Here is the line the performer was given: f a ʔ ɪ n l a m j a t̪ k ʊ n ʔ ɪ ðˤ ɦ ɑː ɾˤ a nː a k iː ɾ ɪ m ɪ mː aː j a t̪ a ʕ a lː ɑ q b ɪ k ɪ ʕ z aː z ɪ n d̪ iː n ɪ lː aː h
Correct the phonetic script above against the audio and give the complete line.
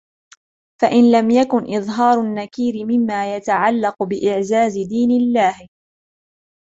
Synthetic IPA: f a ʔ ɪ n l a m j a k ʊ n ʔ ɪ ðˤ ɦ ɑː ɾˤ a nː a k iː ɾ ɪ m ɪ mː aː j a t̪ a ʕ a lː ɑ q b ɪ ʔ ɪ ʕ z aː z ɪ d̪ iː n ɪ lː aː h